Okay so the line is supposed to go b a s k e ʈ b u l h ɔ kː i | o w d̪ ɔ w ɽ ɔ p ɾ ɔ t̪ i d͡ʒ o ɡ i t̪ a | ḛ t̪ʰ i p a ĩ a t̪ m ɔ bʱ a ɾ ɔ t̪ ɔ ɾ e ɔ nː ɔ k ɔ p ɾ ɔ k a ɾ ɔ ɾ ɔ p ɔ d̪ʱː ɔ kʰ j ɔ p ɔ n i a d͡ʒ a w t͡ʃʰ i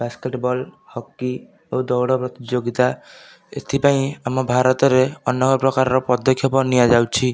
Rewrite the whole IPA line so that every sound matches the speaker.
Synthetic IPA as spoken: b a s k e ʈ b ɔ l h ɔ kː i | o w d̪ ɔ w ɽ ɔ p ɾ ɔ t̪ i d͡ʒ o ɡ i t̪ a | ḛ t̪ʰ i p a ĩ a m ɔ bʱ a ɾ ɔ t̪ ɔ ɾ e ɔ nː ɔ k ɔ p ɾ ɔ k a ɾ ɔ ɾ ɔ p ɔ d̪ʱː ɔ kʰ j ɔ p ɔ n i a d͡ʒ a w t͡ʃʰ i